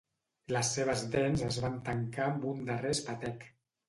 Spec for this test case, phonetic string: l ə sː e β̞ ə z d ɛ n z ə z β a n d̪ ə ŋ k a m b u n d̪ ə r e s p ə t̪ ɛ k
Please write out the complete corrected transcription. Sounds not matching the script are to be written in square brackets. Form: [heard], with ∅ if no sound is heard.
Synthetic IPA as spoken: l ə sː e β̞ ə z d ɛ n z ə z β a n [t̪] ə ŋ k a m b u n d̪ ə r e s p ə t̪ ɛ k